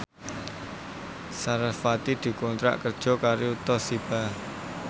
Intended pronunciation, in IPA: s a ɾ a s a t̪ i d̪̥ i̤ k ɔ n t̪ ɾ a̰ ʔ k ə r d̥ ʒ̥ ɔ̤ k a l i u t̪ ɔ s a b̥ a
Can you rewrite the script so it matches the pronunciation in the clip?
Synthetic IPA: s a ɾ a f a t̪ i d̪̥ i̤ k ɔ n t̪ ɾ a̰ ʔ k ə r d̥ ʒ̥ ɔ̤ k a ɾ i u t̪ ɔ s i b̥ a